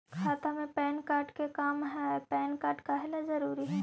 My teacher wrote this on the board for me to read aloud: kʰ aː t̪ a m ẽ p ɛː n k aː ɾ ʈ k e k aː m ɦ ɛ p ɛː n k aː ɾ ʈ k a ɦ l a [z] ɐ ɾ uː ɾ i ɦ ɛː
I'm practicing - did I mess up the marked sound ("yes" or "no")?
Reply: no